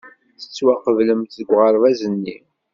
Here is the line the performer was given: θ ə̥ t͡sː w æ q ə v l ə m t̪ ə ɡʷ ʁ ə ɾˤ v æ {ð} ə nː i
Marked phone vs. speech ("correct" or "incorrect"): incorrect